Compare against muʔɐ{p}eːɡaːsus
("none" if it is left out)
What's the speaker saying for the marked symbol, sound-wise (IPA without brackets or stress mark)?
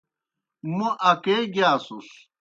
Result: k